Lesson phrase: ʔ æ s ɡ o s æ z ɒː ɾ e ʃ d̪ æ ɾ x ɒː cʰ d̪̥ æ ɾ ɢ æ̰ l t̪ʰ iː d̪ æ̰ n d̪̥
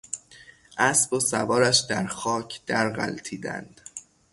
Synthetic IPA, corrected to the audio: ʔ æ s b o s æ v ɒː ɾ æ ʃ d̪ æ ɾ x ɒː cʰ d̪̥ æ ɾ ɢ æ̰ l t̪ʰ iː d̪ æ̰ n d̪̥